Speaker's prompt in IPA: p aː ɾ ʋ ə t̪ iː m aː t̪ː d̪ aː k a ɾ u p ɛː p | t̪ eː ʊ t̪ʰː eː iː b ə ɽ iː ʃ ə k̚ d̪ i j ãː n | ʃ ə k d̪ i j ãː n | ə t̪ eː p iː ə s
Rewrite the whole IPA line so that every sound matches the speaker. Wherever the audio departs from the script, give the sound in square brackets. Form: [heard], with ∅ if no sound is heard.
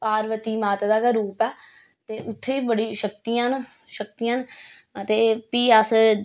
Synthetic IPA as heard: p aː ɾ ʋ ə t̪ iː m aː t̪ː d̪ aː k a ɾ [uː] p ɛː [∅] | t̪ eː ʊ t̪ʰː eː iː b ə ɽ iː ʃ ə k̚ [t̪] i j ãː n | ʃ ə k [t̪] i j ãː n | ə t̪ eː p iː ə s

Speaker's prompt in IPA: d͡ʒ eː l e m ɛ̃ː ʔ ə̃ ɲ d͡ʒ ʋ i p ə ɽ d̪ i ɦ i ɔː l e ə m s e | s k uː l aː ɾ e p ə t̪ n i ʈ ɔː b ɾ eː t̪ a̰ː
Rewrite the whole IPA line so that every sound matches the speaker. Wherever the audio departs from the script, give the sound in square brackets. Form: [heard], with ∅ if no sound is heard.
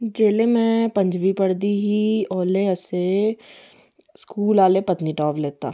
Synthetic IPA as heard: d͡ʒ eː l e m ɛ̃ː [p] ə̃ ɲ d͡ʒ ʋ i p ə ɽ d̪ i ɦ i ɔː l e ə [∅] s e | s k uː l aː [l] e p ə t̪ n i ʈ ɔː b [l] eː t̪ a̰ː

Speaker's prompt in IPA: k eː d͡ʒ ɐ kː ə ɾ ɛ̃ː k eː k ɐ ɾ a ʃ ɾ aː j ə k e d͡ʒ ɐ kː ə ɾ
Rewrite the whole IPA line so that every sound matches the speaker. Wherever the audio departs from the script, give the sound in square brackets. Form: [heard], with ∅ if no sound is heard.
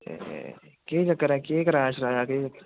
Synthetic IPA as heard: k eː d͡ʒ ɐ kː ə ɾ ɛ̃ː k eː k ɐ ɾ a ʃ ɾ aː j [a] k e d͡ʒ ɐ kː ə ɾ

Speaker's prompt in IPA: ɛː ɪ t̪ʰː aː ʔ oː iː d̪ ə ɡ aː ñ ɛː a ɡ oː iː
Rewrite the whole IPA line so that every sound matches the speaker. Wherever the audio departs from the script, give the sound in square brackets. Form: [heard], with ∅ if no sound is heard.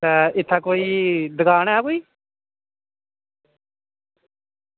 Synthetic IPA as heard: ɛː ɪ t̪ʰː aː [k] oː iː d̪ ə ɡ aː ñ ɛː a [k] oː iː

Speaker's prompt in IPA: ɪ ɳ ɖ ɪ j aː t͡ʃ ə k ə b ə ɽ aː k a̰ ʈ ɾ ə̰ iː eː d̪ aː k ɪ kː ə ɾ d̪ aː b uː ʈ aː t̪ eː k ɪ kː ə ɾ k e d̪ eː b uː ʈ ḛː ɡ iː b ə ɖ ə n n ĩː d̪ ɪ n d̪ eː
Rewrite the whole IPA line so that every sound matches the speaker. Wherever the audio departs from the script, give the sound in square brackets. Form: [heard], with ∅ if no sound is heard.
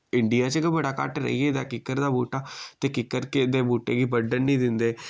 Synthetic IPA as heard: ɪ ɳ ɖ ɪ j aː t͡ʃ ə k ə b ə ɽ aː k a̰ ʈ ɾ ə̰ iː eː d̪ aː k ɪ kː ə ɾ d̪ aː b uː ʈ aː t̪ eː k ɪ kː ə ɾ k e d̪ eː b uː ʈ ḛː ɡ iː b ə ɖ ə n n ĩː d̪ ɪ n d̪ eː

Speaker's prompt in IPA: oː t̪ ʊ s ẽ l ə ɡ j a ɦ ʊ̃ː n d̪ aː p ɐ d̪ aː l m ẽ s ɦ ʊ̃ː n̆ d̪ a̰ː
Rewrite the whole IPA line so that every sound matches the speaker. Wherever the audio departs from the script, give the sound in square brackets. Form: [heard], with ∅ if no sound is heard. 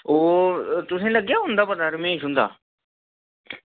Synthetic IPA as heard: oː t̪ ʊ s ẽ l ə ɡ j a ɦ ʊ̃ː n d̪ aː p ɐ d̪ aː [ɾ] m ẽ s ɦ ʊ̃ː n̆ d̪ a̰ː

